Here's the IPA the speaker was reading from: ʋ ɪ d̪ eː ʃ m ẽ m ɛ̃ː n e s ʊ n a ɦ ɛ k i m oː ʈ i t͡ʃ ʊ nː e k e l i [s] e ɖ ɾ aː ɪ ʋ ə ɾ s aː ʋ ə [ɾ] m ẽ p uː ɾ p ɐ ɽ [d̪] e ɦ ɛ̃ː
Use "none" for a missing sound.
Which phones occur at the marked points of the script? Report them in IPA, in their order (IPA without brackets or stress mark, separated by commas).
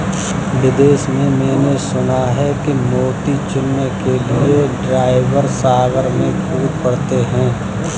none, ɾ, t̪